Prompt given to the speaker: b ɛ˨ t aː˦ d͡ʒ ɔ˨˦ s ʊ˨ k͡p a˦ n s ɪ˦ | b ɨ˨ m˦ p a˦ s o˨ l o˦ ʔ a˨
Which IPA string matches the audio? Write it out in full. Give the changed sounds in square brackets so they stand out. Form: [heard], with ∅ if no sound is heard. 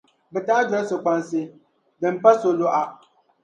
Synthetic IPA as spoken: b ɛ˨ t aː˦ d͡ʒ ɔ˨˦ s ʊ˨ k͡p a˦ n s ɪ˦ | [d] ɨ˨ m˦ p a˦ s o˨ l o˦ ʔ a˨

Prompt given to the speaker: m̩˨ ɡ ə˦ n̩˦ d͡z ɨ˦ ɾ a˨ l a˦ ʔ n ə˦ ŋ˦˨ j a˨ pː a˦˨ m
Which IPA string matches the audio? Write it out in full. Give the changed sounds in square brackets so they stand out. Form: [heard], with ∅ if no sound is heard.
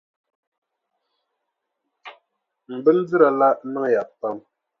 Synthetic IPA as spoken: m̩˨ [b] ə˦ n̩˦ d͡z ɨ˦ ɾ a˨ l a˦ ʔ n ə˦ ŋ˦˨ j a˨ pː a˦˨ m

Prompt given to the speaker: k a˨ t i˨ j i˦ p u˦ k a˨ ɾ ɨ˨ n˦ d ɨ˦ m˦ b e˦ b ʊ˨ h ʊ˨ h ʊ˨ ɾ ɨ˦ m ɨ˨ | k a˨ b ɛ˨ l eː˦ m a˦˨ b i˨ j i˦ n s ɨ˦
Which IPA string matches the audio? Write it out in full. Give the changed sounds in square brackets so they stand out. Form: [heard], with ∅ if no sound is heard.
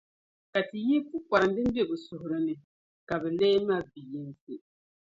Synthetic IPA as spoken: k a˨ t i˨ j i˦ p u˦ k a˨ ɾ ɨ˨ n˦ d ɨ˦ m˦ b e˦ b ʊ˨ [s] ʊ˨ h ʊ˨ ɾ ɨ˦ [n] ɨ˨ | k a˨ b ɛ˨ l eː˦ m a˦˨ b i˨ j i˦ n s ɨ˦

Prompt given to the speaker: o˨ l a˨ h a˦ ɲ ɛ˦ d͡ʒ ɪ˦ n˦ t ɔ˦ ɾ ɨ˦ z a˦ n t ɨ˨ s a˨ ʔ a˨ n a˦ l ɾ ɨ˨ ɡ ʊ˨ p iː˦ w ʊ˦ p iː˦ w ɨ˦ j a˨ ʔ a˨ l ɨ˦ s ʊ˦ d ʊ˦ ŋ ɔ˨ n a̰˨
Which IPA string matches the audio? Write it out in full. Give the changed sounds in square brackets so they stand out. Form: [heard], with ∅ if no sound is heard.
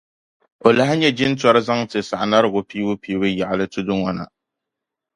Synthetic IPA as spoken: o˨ l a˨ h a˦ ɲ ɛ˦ d͡ʒ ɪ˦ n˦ t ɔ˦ ɾ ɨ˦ z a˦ [ŋ] t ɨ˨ s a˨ ʔ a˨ n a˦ [∅] ɾ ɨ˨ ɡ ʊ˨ p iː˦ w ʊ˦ p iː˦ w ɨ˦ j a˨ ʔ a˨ l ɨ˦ [t] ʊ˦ d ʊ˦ ŋ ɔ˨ n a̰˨

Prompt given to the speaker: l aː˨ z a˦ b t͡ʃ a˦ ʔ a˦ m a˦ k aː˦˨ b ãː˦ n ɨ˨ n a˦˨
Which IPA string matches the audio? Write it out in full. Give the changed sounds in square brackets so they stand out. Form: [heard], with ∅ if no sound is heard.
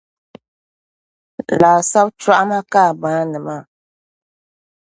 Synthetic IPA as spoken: l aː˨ [s] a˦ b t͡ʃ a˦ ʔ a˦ m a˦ k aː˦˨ b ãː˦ n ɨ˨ [m] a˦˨

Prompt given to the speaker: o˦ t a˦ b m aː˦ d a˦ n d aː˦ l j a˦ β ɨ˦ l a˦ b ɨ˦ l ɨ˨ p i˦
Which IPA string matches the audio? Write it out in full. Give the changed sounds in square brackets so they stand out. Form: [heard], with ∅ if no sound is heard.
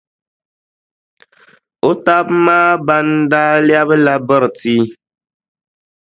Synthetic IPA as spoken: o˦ t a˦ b m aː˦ [b] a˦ n d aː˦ l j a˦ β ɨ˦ l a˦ b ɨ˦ [ɾ] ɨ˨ [t] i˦

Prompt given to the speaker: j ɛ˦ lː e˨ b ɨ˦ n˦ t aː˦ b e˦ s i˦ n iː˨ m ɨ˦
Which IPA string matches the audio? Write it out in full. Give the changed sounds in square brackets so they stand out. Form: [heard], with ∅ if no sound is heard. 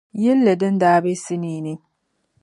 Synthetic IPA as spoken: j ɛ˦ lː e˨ [d] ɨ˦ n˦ [d] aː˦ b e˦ s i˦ n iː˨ [n] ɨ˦

